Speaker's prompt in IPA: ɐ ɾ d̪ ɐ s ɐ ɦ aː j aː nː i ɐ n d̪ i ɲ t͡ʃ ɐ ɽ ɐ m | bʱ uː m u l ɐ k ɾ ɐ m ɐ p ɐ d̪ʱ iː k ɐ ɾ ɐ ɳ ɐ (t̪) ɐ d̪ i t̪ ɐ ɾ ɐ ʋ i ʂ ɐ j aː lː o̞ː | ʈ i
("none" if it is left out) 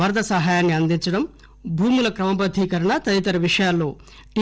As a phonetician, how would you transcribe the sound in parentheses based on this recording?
t̪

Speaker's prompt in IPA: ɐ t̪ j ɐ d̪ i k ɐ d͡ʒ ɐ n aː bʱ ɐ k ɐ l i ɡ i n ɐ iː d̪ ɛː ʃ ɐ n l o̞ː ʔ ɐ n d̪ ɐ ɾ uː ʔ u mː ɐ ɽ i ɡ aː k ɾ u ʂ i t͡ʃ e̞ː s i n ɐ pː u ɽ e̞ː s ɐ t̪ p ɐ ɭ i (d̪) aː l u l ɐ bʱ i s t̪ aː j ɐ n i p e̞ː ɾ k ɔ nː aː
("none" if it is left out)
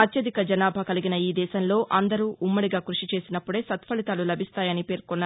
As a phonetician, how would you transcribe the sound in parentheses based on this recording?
t̪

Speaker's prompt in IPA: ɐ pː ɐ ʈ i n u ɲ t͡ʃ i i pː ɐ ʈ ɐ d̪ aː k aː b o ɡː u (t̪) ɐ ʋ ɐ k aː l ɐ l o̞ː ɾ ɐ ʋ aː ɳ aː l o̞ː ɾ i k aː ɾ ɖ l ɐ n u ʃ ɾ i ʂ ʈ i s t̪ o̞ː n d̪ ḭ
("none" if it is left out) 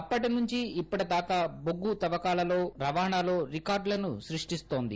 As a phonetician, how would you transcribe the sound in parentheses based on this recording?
t̪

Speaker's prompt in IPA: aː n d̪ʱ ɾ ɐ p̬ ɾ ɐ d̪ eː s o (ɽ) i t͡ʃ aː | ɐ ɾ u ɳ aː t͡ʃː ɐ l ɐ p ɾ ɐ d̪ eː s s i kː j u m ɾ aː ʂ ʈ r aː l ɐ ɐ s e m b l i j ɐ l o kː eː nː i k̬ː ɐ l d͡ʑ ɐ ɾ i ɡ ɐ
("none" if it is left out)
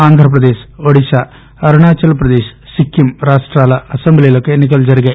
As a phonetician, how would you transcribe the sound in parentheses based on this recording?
ɽ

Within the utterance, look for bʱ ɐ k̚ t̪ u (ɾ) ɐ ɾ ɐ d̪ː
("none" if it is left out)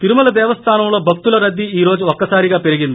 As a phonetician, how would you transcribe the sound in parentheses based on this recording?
l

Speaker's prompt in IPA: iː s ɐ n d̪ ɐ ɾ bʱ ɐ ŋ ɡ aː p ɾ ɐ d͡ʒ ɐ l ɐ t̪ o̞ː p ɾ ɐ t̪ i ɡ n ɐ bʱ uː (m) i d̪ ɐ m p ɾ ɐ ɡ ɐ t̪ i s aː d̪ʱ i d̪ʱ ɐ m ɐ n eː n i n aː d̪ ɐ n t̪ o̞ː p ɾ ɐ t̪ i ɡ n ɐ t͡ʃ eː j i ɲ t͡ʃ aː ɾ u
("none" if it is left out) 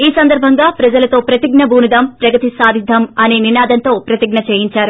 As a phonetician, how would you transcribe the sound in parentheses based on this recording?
n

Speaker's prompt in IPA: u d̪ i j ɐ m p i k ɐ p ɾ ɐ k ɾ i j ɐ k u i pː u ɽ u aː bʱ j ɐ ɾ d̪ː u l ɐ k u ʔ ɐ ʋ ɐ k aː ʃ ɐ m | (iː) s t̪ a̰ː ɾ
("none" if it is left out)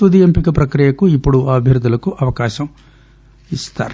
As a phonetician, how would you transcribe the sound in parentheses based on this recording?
i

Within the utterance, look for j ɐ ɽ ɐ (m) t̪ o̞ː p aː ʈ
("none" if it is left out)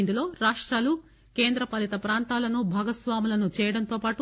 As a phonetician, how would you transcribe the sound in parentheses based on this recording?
n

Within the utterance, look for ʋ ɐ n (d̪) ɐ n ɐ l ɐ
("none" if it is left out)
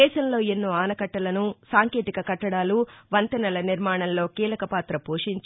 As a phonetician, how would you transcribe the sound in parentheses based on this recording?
t̪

